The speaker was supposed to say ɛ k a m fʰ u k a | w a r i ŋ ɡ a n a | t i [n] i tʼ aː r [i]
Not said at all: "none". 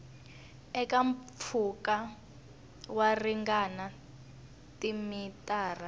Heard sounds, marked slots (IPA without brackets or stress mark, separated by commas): m, a